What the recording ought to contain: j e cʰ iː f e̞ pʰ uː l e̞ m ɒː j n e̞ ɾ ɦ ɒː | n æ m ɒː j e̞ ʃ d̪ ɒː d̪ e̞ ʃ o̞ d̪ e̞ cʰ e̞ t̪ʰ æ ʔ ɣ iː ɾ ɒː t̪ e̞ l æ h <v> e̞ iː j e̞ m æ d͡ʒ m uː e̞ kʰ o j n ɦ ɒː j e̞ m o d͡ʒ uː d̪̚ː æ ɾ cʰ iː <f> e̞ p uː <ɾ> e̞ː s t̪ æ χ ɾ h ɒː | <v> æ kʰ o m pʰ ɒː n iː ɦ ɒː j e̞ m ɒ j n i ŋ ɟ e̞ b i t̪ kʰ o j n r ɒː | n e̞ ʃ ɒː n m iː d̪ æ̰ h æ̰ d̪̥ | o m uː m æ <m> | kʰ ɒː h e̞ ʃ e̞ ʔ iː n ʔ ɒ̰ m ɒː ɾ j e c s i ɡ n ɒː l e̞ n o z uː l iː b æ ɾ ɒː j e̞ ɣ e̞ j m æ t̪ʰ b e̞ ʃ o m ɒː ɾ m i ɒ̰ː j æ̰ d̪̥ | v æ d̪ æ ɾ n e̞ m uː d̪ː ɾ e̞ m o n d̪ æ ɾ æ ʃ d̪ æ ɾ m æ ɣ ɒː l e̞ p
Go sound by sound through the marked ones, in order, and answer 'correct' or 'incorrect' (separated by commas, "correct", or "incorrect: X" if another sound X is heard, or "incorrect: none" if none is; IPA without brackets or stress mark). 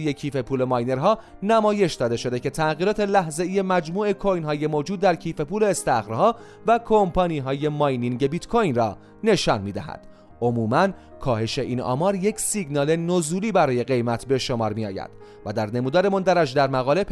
incorrect: z, correct, incorrect: l, correct, incorrect: n